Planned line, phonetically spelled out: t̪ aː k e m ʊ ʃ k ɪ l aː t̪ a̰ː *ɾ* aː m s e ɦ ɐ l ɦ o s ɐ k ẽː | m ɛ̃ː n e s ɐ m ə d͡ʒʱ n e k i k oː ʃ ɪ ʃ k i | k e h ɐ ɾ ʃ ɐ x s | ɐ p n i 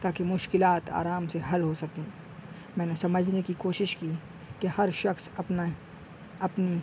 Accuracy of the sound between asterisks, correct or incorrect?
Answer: correct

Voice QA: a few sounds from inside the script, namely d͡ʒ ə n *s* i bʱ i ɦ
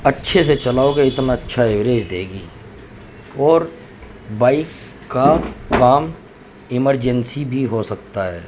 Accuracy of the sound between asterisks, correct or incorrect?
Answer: correct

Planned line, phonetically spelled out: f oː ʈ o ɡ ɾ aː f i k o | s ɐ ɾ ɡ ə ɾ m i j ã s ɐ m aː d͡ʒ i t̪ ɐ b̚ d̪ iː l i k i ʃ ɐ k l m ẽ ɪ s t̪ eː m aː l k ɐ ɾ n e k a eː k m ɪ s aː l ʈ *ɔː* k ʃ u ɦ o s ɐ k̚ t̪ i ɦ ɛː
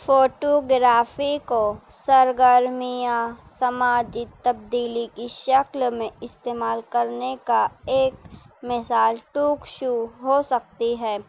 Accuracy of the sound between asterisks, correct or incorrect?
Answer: incorrect: uː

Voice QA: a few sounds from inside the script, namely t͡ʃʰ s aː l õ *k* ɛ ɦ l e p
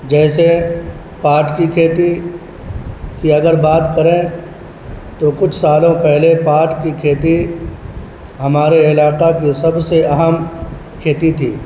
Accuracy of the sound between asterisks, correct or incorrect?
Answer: incorrect: p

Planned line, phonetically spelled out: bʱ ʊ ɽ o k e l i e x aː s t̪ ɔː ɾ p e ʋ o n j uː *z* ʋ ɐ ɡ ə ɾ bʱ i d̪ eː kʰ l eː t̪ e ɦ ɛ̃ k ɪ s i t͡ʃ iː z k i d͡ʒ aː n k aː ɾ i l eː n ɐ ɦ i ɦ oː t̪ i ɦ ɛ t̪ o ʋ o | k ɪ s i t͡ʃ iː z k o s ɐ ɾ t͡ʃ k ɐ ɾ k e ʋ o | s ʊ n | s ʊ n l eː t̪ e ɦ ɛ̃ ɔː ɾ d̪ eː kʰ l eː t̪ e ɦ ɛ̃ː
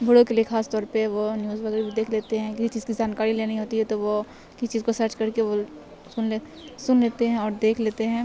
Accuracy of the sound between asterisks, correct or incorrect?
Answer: correct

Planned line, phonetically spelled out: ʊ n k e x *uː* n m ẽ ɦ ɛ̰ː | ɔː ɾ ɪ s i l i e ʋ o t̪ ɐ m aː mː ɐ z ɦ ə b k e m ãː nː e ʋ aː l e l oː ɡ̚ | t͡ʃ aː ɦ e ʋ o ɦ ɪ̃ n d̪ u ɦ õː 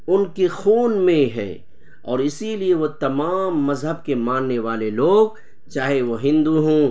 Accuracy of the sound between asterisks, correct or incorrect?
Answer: correct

